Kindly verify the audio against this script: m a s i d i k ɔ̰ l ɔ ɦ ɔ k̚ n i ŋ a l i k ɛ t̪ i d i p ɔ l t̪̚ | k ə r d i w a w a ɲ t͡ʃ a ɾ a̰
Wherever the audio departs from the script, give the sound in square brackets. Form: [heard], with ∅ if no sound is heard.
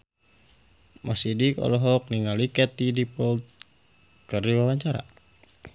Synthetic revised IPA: m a s i d i k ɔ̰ l ɔ ɦ ɔ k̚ n i ŋ a l i k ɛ t̪ i d i p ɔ l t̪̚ | k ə r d i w a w a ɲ t͡ʃ a ɾ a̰